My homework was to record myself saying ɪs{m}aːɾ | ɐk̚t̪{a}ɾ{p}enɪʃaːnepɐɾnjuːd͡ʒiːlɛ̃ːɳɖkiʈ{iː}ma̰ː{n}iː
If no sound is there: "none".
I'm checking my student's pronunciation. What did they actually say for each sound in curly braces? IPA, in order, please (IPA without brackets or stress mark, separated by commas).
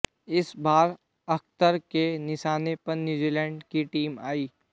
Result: b, ə, k, iː, none